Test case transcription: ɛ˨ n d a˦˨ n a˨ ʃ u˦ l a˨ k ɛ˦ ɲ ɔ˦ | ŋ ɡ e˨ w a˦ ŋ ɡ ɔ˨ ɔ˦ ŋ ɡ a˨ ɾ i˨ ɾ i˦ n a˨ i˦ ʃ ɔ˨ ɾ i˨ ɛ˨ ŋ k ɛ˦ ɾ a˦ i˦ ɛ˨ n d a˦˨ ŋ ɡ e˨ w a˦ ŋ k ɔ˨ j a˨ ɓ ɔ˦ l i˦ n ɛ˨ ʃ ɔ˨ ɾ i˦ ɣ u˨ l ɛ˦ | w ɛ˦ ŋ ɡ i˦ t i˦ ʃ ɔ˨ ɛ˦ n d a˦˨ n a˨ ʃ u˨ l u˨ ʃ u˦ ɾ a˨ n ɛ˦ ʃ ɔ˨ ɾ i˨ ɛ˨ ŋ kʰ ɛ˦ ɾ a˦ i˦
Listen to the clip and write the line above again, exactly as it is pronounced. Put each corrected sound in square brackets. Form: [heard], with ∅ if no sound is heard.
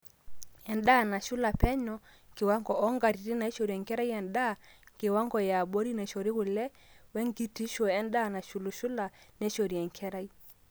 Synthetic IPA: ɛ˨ n d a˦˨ n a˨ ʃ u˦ l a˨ [p] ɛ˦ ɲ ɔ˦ | ŋ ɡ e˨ w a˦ ŋ ɡ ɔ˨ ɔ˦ ŋ ɡ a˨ ɾ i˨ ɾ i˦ n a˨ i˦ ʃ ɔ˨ ɾ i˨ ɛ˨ ŋ k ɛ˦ ɾ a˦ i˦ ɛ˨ n d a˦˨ ŋ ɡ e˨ w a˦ ŋ [ɡ] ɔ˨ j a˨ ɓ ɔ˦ [ɾ] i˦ n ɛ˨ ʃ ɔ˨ ɾ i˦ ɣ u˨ l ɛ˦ | w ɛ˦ ŋ ɡ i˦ t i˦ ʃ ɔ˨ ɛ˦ n d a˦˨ n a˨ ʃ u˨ l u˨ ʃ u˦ [l] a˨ n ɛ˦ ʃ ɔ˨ ɾ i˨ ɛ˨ ŋ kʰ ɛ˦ ɾ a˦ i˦